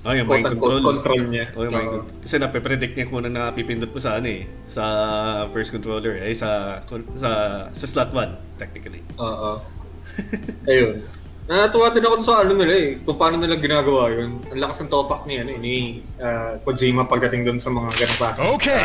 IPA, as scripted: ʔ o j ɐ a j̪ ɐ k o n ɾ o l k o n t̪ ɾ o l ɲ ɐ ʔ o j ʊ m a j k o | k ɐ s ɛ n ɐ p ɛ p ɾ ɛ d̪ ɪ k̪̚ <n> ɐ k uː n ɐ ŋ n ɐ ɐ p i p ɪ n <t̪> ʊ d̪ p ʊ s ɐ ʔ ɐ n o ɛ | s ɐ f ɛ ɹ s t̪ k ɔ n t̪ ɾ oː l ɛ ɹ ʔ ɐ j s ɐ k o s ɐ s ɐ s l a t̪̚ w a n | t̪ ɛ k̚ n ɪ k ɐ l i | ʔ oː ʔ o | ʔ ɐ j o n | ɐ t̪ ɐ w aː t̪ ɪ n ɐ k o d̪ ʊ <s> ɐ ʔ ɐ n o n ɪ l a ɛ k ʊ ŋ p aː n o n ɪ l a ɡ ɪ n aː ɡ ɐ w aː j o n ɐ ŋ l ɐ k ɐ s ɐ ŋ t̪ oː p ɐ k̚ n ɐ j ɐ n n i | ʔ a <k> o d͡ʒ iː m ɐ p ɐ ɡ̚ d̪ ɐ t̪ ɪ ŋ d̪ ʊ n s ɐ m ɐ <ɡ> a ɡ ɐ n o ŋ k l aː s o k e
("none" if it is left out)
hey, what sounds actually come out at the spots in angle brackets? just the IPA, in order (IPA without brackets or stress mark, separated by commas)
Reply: ɲ, d̪, s, k, ŋ